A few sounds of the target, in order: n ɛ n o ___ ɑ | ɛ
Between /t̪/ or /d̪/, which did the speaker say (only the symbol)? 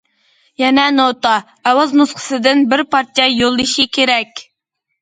t̪